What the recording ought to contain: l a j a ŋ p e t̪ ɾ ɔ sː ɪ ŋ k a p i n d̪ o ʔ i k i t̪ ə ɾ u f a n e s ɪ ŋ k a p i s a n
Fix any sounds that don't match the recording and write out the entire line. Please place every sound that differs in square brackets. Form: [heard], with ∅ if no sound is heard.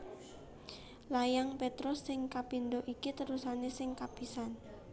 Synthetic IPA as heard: l a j a ŋ p e t̪ ɾ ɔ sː ɪ ŋ k a p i n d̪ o ʔ i k i t̪ ə ɾ u [s] a n e s ɪ ŋ k a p i s a n